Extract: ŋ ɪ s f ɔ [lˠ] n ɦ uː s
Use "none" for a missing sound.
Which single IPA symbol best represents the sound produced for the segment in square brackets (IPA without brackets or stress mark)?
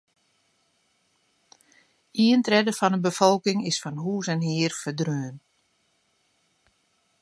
none